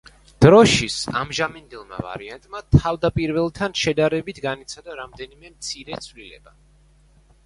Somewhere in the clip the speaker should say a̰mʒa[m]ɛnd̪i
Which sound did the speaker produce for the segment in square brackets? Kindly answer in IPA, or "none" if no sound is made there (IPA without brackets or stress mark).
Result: m